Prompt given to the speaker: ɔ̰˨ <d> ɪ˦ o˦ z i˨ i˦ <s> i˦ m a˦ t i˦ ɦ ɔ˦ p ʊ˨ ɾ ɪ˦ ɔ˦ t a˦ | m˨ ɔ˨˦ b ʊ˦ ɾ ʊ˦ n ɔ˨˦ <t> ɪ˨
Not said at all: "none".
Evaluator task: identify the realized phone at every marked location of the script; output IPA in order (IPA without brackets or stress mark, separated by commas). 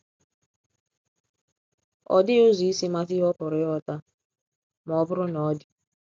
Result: d, s, d